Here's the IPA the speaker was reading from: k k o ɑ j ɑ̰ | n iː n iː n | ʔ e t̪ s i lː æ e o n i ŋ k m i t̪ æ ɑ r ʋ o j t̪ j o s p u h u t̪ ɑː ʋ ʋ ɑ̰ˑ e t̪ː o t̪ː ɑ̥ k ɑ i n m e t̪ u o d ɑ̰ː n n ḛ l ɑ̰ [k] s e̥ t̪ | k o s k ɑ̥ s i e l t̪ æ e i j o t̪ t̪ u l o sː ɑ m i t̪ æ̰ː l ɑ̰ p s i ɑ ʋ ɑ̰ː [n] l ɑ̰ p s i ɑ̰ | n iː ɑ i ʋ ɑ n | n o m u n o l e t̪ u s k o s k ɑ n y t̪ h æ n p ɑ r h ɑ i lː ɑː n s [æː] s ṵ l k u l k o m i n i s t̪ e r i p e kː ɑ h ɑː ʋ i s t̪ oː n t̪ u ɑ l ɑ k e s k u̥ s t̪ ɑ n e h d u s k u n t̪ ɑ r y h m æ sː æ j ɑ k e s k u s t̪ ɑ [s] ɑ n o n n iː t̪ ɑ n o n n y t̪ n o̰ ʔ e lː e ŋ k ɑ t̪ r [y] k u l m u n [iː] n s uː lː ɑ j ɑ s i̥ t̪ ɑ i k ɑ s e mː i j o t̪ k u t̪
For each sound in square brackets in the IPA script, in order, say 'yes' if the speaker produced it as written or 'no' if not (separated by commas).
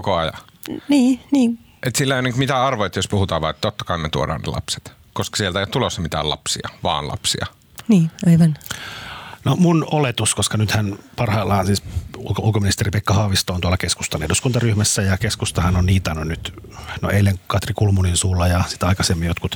no, yes, no, no, no, no